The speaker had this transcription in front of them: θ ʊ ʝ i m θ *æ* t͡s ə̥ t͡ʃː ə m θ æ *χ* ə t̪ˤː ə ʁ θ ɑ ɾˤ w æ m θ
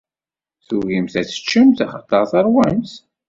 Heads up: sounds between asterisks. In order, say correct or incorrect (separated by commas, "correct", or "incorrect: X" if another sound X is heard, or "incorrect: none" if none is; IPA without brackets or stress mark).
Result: correct, correct